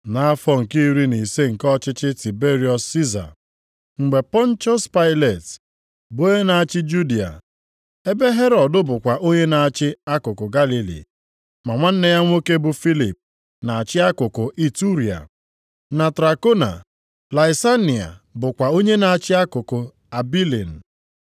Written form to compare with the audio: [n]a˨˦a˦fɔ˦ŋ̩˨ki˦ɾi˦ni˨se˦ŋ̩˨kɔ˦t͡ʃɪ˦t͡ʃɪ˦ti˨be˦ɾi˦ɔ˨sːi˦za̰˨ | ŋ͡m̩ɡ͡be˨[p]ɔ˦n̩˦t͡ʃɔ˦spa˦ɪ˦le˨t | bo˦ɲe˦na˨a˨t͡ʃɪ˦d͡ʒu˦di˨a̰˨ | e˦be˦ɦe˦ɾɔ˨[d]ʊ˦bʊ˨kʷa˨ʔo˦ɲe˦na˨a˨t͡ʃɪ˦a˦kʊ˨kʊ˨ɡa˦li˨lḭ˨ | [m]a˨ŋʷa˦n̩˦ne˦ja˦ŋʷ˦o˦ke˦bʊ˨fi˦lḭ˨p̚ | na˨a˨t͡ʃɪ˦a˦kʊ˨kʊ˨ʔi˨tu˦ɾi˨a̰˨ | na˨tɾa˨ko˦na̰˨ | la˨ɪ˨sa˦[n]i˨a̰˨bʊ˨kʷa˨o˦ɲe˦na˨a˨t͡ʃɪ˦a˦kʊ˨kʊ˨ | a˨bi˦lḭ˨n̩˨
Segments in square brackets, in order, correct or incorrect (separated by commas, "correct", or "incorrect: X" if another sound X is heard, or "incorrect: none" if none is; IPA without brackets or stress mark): correct, correct, correct, correct, correct